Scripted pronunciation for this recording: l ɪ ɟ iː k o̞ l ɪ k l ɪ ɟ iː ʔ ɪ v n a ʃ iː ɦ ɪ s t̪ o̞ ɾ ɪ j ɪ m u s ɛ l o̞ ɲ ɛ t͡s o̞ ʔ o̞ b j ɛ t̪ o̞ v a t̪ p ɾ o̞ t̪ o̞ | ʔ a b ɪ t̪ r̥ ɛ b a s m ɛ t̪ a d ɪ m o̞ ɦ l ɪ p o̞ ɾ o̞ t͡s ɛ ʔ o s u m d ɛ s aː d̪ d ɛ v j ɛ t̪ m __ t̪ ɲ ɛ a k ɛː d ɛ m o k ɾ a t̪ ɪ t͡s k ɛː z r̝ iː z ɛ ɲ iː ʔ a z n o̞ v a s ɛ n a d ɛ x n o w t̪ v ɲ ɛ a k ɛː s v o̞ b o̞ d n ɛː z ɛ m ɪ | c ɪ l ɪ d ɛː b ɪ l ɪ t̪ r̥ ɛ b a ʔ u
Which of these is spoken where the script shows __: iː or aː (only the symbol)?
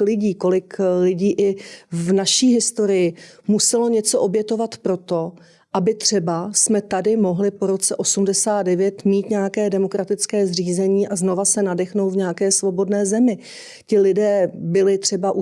iː